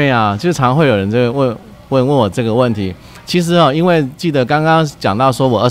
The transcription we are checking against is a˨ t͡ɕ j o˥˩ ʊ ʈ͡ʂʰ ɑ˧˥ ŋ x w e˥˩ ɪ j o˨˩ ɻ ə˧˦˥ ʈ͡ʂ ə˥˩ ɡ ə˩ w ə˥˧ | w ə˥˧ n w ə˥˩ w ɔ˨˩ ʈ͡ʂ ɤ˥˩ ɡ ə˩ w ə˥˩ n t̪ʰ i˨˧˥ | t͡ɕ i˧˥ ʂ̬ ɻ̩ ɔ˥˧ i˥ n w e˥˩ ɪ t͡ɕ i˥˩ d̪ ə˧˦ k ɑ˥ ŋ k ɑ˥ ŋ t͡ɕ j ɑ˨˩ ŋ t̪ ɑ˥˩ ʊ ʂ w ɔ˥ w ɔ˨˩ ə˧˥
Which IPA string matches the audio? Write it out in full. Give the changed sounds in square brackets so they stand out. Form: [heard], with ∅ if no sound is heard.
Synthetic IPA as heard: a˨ t͡ɕ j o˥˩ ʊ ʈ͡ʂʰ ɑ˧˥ ŋ x w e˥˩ ɪ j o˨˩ ɻ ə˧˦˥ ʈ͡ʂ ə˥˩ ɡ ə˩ w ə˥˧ | w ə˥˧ n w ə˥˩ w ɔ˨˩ ʈ͡ʂ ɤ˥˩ ɡ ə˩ w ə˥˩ n t̪ʰ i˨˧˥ | [t͡ɕʰ] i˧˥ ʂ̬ ɻ̩ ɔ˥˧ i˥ n w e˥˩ ɪ t͡ɕ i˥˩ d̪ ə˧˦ k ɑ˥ ŋ k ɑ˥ ŋ t͡ɕ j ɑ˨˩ ŋ t̪ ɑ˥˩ ʊ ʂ w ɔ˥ w ɔ˨˩ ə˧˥